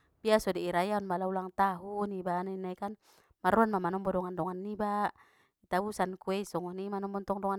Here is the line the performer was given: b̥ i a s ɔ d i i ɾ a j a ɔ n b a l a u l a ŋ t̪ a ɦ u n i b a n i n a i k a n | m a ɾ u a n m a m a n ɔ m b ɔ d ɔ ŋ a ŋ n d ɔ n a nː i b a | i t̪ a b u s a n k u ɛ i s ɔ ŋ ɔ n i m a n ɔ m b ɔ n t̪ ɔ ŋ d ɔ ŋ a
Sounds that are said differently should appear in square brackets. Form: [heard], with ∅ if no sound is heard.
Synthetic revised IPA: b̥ i a s ɔ d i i ɾ a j a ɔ n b a l a u l a ŋ t̪ a ɦ u n i b a n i n a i k a n | m a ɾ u a n m a m a n ɔ m b ɔ d ɔ ŋ a [∅] n d ɔ [ŋ] a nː i b a | i t̪ a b u s a n k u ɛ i s ɔ ŋ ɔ n i m a n ɔ m b ɔ n t̪ ɔ ŋ d ɔ ŋ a